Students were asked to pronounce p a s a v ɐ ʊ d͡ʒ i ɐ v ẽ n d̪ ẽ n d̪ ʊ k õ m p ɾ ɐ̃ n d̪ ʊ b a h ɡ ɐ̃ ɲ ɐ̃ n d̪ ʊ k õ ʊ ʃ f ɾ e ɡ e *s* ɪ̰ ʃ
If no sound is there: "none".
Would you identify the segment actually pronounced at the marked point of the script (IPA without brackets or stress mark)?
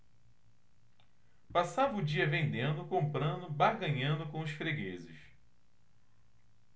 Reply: z